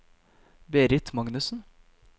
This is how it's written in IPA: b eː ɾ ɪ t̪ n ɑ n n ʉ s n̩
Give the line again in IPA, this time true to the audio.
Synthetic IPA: b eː ɾ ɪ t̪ m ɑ ŋ n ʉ s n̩